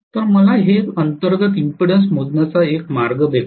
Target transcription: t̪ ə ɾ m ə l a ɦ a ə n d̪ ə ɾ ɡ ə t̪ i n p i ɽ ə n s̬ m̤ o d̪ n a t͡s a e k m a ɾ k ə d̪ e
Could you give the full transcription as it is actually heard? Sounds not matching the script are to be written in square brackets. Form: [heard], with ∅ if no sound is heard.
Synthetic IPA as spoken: t̪ ə ɾ m ə l a ɦ [e] ə n [t̪] ə ɾ ɡ ə t̪ i [m] p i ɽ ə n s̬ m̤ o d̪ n a t͡s a e k m a ɾ [ɡ] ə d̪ e